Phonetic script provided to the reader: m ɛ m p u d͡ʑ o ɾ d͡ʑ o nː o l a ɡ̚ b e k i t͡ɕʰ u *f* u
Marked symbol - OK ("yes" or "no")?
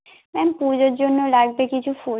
yes